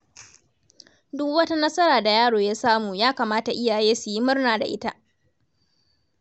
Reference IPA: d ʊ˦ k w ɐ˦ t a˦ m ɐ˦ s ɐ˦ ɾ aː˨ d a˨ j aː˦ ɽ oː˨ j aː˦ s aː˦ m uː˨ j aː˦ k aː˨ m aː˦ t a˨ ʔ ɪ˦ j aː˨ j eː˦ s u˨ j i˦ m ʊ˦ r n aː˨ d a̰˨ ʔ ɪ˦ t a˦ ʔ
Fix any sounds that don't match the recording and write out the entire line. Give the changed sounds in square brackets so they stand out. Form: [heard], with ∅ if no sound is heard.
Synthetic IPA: d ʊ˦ k w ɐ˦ t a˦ [n] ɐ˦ s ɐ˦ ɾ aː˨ d a˨ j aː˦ ɽ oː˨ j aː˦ s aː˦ m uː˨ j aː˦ k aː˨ m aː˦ t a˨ ʔ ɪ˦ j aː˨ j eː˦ s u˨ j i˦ m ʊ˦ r n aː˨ d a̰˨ ʔ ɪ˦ t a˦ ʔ